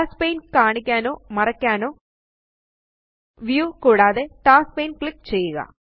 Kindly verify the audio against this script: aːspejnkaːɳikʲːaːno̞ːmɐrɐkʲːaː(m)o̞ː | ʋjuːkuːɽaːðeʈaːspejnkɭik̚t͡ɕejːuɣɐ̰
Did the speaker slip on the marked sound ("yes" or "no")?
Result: yes